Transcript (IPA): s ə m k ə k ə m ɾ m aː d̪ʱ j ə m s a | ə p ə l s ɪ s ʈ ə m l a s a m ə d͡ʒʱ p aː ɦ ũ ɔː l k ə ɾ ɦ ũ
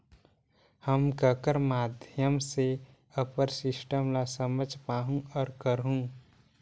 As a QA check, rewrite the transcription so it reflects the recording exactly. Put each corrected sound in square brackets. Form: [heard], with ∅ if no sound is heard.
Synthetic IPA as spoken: [h] ə m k ə k ə [∅] ɾ m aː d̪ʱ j ə m s [e] | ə p ə [ɾ] s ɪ s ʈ ə m l a s [ə] m ə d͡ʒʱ p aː ɦ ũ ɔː [ɾ] k ə ɾ ɦ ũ

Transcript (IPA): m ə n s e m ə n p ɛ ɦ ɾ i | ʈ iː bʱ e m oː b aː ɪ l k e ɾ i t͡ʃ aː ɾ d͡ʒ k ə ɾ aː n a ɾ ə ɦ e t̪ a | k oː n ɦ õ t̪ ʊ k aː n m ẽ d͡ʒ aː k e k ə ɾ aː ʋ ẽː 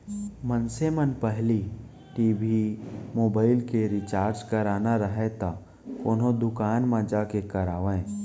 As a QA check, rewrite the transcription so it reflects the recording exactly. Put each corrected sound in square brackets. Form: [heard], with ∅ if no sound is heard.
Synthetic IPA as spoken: m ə n s e m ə n p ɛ ɦ [l] i | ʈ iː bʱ [i] m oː b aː ɪ l k e ɾ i t͡ʃ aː ɾ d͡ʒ k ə ɾ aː n a ɾ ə ɦ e t̪ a | k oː n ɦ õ [d̪] ʊ k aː n m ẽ d͡ʒ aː k e k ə ɾ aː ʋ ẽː

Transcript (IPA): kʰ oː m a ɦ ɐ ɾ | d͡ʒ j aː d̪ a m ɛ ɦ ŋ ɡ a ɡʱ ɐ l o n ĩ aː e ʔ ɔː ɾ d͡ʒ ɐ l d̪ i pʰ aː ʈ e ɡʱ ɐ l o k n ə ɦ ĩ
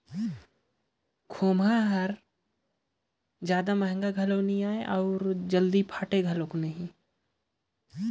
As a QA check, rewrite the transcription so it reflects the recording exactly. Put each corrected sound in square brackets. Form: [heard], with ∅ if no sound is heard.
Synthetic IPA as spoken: kʰ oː m a ɦ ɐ ɾ | d͡ʒ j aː d̪ a m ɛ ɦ ŋ ɡ a ɡʱ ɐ l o n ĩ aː e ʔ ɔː ɾ d͡ʒ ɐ l d̪ i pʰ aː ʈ e ɡʱ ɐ l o k n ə ɦ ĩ

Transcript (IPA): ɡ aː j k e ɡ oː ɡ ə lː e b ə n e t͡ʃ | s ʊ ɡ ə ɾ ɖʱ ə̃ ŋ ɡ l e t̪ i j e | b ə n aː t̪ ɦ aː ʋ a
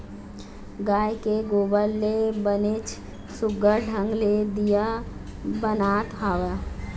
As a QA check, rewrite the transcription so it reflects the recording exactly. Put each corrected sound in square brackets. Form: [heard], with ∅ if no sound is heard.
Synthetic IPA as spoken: ɡ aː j k e ɡ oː [b] ə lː e b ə n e t͡ʃ | s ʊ ɡ ə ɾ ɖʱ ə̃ ŋ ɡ l e [d̪] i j [a] | b ə n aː t̪ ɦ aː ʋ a

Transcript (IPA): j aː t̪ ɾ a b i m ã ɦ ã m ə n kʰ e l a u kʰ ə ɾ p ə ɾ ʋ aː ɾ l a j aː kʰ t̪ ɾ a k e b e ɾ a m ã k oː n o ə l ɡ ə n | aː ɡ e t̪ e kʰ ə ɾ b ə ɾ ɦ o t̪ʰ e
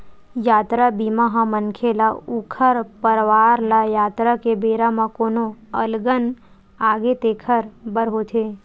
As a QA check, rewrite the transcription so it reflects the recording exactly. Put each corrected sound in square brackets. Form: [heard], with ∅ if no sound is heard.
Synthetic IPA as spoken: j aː t̪ ɾ a b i m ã ɦ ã m ə n kʰ e l a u kʰ ə ɾ p ə ɾ ʋ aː ɾ l a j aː [∅] t̪ ɾ a k e b e ɾ a m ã k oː n o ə l ɡ ə n | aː ɡ e t̪ e kʰ ə ɾ b ə ɾ ɦ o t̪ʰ e

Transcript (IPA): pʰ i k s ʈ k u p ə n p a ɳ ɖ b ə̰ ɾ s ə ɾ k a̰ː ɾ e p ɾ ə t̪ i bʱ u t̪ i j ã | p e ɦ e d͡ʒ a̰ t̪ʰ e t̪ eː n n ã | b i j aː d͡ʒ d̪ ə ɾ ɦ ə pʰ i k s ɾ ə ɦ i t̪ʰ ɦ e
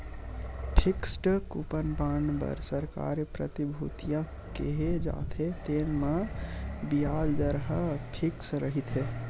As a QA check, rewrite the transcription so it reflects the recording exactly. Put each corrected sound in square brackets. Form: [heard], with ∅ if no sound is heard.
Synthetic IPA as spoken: pʰ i k s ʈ k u p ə n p a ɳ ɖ b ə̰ ɾ s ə ɾ k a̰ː ɾ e p ɾ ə t̪ i bʱ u t̪ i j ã | [k] e ɦ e d͡ʒ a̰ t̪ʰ e t̪ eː n [m] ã | b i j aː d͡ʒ d̪ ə ɾ ɦ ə pʰ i k s ɾ ə ɦ i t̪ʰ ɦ e

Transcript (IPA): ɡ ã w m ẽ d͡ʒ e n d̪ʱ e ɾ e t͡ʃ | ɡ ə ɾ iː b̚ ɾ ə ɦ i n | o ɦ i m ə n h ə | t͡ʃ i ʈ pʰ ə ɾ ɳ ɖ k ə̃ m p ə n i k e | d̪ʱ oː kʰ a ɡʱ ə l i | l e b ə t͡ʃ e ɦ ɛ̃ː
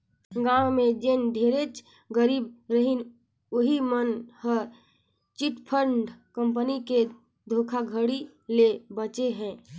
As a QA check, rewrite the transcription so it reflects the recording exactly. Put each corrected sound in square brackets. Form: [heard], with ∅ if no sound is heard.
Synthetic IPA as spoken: ɡ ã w m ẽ d͡ʒ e n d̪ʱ e ɾ e t͡ʃ | ɡ ə ɾ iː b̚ ɾ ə ɦ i n | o ɦ i m ə n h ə | t͡ʃ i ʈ pʰ ə ɾ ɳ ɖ k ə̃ m p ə n i k e | d̪ʱ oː kʰ a ɡʱ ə [ɽ] i | l e b ə t͡ʃ e ɦ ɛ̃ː

